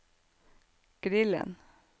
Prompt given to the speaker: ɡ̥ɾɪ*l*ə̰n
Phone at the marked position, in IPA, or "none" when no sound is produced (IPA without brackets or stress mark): l